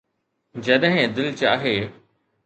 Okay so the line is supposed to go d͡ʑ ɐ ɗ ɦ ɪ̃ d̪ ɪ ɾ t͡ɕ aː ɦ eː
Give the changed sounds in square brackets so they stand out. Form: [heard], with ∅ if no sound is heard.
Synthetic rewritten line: d͡ʑ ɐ ɗ ɦ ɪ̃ d̪ ɪ [l] t͡ɕ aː ɦ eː